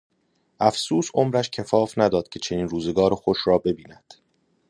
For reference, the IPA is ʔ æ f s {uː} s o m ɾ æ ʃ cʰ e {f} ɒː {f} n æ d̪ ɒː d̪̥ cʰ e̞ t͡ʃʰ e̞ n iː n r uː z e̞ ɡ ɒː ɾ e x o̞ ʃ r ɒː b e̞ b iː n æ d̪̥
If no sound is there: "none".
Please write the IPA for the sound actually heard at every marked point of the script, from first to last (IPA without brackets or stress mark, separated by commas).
uː, f, f